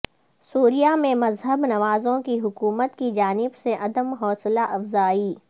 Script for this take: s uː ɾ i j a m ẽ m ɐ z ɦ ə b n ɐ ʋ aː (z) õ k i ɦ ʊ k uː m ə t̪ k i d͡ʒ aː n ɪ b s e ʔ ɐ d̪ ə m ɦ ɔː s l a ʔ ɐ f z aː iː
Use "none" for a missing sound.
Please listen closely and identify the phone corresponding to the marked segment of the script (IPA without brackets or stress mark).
z